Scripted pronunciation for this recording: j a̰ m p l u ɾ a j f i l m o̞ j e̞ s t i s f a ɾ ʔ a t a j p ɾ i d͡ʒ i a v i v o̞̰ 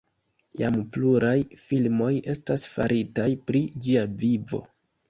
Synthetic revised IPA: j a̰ m p l u ɾ a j f i l m o̞ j e̞ s t a s f a ɾ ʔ i t a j p ɾ i d͡ʒ i a v i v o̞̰